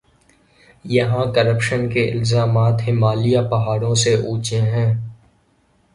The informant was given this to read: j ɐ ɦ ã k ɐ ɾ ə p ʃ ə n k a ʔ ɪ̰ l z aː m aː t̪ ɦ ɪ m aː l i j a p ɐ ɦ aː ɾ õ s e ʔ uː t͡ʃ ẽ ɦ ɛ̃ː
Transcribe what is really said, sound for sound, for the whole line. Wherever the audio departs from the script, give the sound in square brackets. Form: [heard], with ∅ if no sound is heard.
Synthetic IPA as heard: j ɐ ɦ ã k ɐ ɾ ə p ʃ ə n k [e] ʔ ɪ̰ l z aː m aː t̪ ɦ ɪ m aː l i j a p ɐ ɦ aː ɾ õ s e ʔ uː t͡ʃ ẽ ɦ ɛ̃ː